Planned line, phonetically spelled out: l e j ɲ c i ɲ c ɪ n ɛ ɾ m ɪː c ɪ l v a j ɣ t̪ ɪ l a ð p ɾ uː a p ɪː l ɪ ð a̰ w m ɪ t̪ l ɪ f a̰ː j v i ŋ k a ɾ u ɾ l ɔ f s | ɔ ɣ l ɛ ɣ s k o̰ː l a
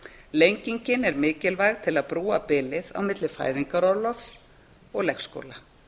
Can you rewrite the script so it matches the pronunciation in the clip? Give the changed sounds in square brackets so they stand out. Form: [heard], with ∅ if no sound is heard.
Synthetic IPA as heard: l e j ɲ c i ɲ c ɪ n ɛ ɾ m ɪː c ɪ l v a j ɣ [t̪ʰ] ɪ l a ð p ɾ uː a p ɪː l ɪ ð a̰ w m ɪ t̪ l ɪ f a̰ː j [ð] i ŋ k a ɾ [ɔ] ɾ l ɔ f s | ɔ ɣ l ɛ [x] s k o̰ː l a